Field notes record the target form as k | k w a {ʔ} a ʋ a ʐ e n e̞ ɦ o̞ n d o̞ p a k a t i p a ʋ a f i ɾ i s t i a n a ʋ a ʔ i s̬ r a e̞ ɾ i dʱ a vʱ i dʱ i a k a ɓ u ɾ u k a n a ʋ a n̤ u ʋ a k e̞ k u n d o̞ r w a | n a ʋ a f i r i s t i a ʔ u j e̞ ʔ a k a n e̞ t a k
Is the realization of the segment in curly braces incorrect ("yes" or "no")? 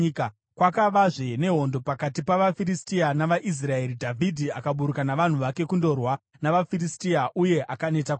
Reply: yes